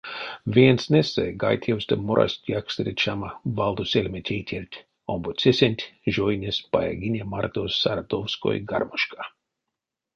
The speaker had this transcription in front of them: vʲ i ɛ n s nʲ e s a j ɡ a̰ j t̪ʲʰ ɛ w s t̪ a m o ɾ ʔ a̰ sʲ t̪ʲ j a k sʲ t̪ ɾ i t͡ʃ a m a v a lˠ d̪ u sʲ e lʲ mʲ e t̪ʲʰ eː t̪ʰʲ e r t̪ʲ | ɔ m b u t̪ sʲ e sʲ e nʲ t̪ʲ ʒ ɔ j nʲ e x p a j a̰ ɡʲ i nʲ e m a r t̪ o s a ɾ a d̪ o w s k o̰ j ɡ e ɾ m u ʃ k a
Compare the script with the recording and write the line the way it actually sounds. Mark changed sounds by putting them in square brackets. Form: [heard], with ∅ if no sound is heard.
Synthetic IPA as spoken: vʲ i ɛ n s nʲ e s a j ɡ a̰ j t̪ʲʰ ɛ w s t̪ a m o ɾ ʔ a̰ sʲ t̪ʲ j a k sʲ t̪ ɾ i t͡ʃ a m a v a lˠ d̪ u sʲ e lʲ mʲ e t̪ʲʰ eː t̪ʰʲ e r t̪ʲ | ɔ m b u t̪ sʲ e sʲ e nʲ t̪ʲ ʒ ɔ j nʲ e [s] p a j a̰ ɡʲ i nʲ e m a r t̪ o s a ɾ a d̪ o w s k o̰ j ɡ [a] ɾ m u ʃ k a